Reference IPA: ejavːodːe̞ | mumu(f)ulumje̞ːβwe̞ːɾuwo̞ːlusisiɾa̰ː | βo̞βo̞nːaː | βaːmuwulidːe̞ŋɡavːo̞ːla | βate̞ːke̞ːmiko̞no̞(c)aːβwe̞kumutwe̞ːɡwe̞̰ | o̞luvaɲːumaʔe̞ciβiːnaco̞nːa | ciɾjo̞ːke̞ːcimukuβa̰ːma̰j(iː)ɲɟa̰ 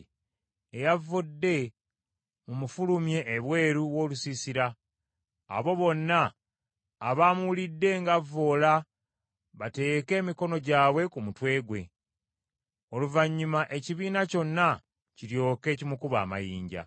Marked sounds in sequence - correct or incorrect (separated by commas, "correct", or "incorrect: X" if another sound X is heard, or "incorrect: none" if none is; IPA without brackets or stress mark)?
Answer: correct, incorrect: ɟ, correct